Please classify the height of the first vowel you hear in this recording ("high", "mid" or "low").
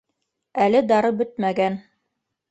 low